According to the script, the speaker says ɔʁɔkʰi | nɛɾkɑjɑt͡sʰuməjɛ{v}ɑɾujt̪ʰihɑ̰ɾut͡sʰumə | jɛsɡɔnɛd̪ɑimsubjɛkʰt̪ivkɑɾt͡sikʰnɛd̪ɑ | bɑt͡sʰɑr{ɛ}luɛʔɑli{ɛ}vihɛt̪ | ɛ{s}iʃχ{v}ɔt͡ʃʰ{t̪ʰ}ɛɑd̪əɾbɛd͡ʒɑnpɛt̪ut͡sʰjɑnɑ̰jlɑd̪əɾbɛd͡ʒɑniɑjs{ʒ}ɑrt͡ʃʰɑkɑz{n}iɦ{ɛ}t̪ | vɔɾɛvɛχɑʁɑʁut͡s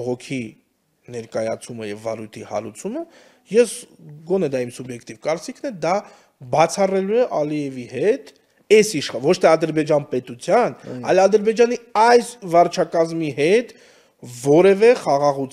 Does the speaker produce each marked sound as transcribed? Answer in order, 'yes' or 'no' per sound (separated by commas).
no, yes, yes, yes, yes, yes, no, no, yes